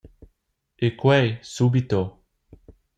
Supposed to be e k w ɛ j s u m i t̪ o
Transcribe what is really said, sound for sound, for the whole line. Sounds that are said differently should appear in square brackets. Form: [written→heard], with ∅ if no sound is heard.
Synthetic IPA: e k w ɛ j s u [m→b] i t̪ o